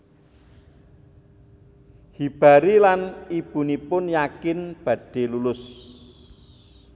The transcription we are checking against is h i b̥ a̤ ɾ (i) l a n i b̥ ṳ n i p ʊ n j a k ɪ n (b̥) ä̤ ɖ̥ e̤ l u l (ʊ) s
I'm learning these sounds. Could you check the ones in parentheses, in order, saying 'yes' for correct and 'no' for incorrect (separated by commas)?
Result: yes, yes, yes